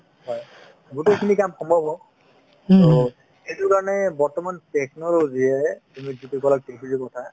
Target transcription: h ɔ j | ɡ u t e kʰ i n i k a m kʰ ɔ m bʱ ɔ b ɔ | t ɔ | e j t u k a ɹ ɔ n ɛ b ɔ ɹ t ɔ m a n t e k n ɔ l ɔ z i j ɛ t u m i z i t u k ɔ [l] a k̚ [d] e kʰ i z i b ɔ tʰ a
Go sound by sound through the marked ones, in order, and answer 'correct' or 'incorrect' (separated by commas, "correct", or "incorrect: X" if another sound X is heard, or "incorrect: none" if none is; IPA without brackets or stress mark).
correct, incorrect: t